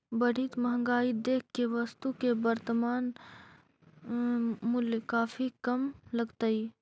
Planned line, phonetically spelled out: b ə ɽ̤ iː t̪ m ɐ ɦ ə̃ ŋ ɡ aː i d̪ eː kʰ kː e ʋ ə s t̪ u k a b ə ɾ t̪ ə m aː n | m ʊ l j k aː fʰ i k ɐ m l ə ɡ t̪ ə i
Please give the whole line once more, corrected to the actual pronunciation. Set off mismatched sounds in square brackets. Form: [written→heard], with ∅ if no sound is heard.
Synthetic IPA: b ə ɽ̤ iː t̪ m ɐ ɦ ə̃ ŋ ɡ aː i d̪ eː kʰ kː e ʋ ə s t̪ u k [a→e] b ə ɾ t̪ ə m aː n | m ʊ l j k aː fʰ i k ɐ m l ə ɡ t̪ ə i

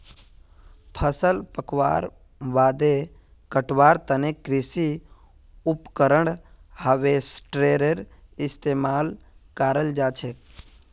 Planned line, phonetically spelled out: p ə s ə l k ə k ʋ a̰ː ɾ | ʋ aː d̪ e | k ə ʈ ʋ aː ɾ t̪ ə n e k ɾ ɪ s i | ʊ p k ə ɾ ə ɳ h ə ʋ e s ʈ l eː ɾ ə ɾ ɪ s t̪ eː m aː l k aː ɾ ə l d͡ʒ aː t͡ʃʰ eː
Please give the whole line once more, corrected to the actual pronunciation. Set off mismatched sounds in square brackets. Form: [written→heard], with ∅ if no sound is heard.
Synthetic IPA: [p→pʰ] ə s ə l [k→p] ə k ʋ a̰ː ɾ | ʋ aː d̪ e | k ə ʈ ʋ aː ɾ t̪ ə n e k ɾ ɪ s i | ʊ p k ə ɾ ə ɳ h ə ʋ e s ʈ [l→ɾ] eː ɾ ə ɾ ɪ s t̪ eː m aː l k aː ɾ ə l d͡ʒ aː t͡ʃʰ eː

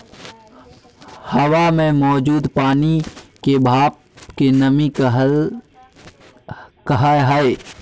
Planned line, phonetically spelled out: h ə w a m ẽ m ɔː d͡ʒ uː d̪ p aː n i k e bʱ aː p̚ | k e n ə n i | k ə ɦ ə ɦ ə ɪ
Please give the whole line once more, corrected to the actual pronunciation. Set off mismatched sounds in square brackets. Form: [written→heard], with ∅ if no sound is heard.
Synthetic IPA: h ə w a m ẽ m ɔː d͡ʒ uː d̪ p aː n i k e bʱ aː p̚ | k e n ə [n→m] i | k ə ɦ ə ɦ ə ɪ

